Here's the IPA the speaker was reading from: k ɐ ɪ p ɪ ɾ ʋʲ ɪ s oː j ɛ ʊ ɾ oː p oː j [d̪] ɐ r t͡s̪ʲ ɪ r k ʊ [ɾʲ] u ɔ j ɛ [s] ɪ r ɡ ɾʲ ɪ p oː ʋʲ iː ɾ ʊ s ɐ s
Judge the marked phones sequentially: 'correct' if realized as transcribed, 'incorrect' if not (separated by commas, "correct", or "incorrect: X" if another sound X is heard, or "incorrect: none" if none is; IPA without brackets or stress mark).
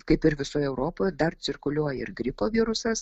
correct, incorrect: lʲ, incorrect: none